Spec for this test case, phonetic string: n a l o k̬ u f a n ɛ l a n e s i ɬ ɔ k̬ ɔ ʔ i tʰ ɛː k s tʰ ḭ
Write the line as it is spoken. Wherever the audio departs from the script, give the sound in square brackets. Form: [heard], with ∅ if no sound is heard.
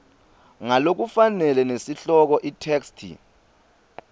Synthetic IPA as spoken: [ŋ] a l o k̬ u f a n ɛ l [ɛ] n e s i ɬ ɔ k̬ ɔ ʔ i tʰ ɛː k s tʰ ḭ